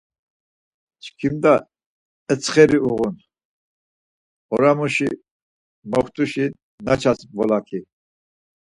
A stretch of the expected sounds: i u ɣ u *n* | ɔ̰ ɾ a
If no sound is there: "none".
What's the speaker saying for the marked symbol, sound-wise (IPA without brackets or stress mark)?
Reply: n